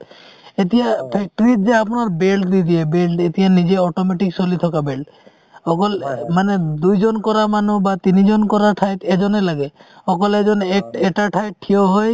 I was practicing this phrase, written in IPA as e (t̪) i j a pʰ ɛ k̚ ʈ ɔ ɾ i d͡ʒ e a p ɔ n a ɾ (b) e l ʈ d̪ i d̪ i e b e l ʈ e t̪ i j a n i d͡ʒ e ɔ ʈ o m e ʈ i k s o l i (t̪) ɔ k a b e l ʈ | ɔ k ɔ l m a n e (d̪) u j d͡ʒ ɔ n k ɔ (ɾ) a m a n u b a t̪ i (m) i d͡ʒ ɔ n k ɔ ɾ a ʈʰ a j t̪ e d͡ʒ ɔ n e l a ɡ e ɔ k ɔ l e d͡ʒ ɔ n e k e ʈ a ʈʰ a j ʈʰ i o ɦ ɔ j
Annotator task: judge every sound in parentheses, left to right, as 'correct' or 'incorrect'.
correct, correct, incorrect: t̪ʰ, correct, correct, incorrect: n

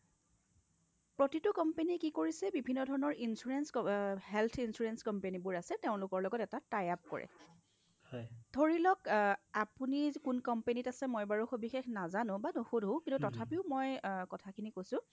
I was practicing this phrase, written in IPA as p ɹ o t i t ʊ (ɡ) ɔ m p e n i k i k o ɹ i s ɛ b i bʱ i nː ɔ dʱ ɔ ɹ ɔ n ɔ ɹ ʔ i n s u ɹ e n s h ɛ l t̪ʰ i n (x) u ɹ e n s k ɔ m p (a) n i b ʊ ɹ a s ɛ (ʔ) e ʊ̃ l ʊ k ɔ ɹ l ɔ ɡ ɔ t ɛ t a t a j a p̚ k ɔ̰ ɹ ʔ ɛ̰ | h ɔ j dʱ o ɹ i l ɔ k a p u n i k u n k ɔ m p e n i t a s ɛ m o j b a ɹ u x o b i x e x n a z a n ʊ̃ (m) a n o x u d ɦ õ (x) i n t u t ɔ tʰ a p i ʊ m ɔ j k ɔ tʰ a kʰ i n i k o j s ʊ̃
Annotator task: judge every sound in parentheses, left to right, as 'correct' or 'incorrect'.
incorrect: k, incorrect: s, incorrect: e, incorrect: t, incorrect: b, incorrect: k

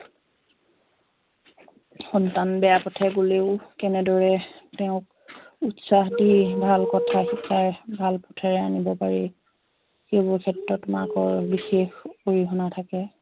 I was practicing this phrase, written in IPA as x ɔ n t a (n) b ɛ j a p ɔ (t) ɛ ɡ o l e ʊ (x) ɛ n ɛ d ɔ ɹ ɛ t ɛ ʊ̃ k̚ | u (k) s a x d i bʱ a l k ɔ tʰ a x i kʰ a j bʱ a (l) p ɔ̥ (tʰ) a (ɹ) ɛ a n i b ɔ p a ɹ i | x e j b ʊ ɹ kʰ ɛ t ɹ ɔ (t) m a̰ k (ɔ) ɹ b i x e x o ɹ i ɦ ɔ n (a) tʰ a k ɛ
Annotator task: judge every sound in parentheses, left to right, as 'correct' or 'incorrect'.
correct, incorrect: tʰ, incorrect: k, incorrect: t, correct, correct, correct, correct, correct, correct

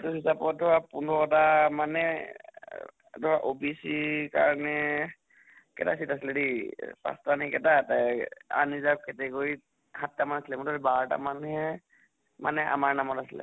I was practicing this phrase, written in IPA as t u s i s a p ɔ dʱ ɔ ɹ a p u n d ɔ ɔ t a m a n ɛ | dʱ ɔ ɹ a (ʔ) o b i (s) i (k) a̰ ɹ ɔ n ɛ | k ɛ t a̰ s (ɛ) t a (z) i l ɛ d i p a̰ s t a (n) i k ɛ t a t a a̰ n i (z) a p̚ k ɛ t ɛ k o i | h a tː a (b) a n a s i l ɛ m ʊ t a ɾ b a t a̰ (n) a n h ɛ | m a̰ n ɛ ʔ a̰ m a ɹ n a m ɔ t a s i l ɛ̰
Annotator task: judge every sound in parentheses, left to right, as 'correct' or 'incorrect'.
correct, correct, correct, incorrect: i, incorrect: s, correct, correct, incorrect: m, incorrect: m

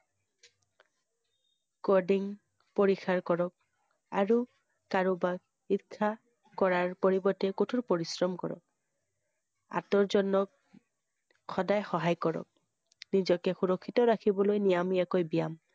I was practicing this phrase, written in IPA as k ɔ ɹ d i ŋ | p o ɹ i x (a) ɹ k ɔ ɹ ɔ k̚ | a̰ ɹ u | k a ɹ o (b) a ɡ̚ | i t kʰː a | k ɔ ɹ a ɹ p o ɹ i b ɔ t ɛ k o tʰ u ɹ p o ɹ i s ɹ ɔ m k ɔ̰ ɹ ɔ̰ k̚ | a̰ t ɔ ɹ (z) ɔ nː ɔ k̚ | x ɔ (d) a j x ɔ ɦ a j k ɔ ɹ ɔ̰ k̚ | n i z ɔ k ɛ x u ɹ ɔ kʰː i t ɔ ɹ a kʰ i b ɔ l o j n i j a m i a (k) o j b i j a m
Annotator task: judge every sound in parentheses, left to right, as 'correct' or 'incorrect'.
correct, correct, correct, correct, correct

